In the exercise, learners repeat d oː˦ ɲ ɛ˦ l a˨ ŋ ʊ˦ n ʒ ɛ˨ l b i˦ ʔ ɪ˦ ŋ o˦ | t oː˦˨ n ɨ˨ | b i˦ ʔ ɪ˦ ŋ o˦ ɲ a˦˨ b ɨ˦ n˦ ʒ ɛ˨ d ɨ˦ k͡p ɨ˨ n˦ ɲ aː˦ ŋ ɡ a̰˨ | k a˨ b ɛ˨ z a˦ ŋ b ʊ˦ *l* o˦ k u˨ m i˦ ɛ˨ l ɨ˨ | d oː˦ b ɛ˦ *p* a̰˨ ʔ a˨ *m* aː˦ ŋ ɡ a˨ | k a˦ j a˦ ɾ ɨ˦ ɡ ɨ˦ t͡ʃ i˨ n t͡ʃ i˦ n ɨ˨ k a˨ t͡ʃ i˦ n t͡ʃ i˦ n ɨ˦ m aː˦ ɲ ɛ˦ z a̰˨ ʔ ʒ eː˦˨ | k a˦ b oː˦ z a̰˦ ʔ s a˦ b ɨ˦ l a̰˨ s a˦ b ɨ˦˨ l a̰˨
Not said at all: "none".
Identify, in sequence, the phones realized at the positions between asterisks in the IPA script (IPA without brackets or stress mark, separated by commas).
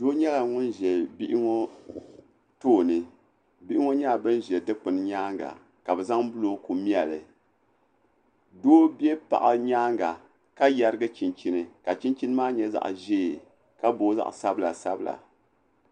l, p, ɲ